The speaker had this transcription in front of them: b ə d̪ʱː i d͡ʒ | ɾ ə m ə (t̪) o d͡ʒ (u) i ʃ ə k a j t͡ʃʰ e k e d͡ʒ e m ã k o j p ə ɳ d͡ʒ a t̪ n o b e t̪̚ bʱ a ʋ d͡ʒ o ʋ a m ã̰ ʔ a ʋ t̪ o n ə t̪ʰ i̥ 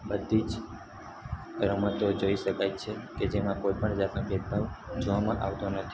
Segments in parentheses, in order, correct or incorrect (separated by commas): correct, incorrect